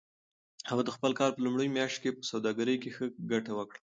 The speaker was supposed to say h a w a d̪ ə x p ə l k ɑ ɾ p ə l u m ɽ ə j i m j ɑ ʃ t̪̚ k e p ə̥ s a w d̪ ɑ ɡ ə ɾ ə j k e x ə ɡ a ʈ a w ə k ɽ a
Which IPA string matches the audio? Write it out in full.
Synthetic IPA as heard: h a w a d̪ ə x p ə l k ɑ ɾ p ə l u m ɽ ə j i m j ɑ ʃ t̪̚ k e p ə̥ s a w d̪ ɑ ɡ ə ɾ ə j k e x ə ɡ a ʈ a w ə k ɽ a